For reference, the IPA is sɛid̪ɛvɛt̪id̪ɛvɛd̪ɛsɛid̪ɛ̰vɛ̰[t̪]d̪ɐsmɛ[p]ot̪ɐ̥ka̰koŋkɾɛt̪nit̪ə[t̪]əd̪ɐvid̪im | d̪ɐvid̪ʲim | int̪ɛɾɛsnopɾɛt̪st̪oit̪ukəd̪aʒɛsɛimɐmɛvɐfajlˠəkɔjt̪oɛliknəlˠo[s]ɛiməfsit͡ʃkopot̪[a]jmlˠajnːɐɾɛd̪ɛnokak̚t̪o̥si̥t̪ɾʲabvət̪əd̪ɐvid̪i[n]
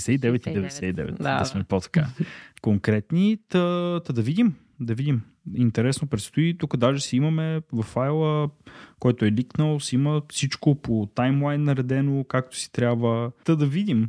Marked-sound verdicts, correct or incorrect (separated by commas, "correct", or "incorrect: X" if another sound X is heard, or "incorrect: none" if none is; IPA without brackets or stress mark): correct, correct, correct, correct, correct, incorrect: m